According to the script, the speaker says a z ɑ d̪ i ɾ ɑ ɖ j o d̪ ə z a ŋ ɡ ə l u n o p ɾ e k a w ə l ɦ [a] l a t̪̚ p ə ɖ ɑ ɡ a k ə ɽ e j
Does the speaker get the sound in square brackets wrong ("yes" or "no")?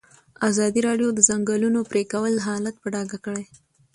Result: yes